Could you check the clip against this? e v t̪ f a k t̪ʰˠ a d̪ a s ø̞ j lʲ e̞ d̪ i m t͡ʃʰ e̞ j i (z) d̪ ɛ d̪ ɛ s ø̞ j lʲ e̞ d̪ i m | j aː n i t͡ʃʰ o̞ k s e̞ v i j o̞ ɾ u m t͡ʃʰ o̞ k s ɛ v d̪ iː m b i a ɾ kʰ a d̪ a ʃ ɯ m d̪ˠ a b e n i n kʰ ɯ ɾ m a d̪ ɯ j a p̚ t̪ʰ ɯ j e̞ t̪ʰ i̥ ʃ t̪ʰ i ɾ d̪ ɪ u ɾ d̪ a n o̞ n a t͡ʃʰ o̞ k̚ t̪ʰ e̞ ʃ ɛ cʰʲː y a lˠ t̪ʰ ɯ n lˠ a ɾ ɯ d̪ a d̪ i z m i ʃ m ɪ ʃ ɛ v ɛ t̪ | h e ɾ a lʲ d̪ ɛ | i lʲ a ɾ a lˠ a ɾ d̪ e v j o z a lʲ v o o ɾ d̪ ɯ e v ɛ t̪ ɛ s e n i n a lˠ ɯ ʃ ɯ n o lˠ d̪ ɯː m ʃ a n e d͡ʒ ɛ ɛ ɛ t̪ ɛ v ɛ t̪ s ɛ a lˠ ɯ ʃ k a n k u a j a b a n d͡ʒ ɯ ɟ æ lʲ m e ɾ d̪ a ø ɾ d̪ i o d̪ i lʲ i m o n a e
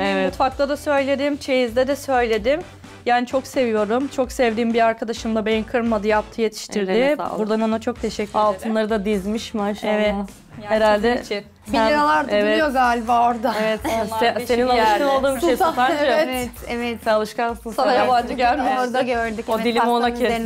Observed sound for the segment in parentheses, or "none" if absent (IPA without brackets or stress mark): z